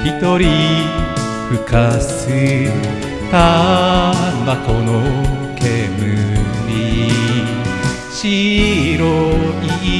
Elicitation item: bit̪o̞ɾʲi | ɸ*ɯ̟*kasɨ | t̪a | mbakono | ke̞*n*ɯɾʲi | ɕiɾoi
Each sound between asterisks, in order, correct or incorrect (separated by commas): correct, incorrect